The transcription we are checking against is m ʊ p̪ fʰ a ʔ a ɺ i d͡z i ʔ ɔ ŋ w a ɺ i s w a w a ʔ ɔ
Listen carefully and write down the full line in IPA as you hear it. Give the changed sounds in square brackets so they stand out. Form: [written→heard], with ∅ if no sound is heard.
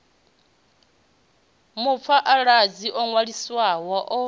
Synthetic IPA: m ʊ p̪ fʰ a ʔ a ɺ [i→a] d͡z i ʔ ɔ ŋ w a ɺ i s w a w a ʔ ɔ